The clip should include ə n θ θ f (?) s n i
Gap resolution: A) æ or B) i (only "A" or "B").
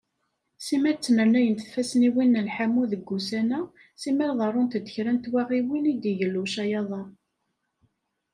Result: A